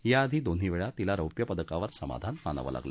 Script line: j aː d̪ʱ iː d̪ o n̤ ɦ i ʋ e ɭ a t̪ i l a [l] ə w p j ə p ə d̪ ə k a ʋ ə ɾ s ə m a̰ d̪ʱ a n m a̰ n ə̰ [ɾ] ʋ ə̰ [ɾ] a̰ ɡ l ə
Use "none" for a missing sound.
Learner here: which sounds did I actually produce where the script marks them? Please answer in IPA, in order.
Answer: ɾ, none, l

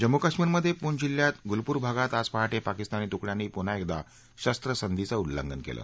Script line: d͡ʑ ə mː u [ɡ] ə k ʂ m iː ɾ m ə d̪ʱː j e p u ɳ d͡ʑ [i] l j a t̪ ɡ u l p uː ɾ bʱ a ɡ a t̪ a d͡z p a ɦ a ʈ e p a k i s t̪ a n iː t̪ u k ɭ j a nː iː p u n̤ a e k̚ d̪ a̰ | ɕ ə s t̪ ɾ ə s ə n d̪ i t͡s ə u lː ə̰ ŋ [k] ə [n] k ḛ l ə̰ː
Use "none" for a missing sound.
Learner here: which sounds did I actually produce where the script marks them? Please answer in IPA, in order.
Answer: k, i, ɡ, n

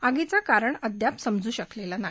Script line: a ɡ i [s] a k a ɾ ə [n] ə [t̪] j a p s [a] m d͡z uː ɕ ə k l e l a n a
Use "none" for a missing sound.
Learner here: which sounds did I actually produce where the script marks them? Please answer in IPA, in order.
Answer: t͡s, ɳ, d̪, ə

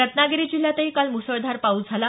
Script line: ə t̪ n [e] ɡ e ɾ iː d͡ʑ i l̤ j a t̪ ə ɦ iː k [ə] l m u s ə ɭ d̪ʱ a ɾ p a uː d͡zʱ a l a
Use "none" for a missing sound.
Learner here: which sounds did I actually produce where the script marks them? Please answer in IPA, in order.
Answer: a, a

